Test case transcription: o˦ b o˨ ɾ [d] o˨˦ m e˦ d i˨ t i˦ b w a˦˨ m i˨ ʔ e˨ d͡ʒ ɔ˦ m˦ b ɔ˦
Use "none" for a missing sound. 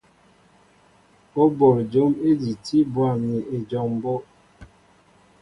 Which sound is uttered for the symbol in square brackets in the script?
d͡ʒ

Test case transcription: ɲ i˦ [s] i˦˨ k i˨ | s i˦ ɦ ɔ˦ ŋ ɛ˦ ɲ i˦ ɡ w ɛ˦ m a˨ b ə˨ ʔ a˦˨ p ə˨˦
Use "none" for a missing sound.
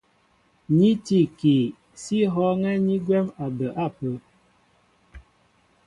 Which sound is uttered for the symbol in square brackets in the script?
t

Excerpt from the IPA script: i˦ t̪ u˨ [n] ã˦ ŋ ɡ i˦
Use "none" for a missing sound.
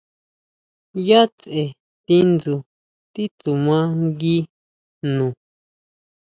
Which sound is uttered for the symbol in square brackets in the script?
m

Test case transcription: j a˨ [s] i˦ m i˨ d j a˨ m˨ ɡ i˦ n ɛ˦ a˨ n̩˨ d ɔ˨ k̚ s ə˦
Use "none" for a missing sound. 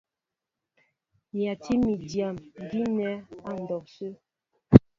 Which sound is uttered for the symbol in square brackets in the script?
t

